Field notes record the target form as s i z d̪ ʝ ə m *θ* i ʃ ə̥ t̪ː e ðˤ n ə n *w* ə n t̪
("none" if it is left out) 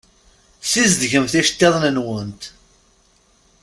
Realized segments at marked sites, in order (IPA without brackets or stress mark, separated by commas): θ, w